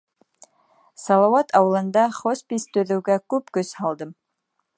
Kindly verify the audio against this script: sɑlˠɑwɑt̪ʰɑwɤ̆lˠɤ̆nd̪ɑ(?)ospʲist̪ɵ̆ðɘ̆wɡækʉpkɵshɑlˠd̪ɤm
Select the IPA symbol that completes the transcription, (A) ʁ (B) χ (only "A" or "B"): B